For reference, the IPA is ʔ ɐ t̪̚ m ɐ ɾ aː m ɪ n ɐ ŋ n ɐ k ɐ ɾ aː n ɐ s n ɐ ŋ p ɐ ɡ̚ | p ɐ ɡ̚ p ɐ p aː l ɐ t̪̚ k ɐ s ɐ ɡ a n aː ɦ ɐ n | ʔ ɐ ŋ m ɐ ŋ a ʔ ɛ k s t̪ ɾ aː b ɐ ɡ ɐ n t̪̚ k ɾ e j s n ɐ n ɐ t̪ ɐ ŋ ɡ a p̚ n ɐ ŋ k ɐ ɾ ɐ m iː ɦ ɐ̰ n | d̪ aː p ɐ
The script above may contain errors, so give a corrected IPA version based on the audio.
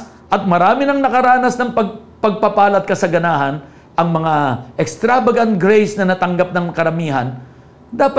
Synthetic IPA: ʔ ɐ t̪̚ m ɐ ɾ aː m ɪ n ɐ ŋ n ɐ k ɐ ɾ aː n ɐ s n ɐ ŋ p ɐ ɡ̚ | p ɐ ɡ̚ p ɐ p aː l ɐ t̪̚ k ɐ s ɐ ɡ ɐ n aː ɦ ɐ n | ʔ ɐ ŋ m ɐ ŋ a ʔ ɛ k s t̪ ɾ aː b ɐ ɡ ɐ n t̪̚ ɡ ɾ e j s n ɐ n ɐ t̪ ɐ ŋ ɡ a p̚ n ɐ ŋ k ɐ ɾ ɐ m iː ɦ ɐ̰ n | d̪ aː p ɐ